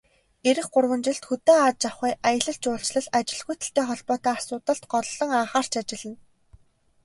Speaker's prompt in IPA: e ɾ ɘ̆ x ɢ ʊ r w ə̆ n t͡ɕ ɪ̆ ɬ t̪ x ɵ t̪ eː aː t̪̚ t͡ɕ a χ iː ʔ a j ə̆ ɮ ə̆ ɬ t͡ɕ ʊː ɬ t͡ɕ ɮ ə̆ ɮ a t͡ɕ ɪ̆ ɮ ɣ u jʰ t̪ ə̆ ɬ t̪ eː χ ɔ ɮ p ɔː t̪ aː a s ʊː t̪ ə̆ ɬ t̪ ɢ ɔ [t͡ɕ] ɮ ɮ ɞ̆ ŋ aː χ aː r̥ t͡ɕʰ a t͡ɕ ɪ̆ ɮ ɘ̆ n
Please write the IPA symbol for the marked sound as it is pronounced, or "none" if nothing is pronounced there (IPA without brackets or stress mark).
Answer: none